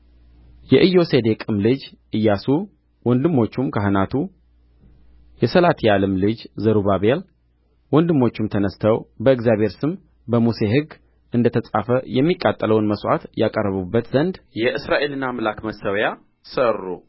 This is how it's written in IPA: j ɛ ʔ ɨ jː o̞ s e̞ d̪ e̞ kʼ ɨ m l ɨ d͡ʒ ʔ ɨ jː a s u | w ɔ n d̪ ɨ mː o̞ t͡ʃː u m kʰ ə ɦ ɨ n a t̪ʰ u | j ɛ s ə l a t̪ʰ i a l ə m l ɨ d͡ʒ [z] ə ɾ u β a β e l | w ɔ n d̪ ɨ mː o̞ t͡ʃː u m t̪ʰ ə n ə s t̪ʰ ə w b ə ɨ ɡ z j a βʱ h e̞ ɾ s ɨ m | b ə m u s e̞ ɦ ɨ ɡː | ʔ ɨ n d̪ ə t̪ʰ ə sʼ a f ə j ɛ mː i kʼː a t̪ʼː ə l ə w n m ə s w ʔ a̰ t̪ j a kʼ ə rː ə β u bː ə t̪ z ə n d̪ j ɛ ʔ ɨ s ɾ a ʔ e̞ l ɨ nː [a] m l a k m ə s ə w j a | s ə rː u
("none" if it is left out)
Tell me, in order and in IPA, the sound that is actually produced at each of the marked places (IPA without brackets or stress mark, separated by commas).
z, a